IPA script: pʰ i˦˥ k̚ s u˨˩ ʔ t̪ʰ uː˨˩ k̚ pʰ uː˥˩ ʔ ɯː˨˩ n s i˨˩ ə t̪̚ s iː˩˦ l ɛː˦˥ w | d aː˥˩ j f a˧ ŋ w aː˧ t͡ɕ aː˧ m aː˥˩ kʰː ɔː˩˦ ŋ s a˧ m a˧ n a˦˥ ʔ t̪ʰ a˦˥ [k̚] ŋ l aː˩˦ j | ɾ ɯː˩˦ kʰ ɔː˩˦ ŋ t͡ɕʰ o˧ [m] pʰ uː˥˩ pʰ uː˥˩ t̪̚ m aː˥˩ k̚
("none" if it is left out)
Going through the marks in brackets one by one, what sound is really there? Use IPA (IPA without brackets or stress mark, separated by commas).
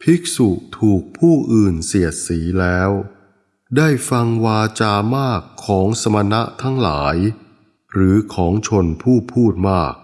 none, n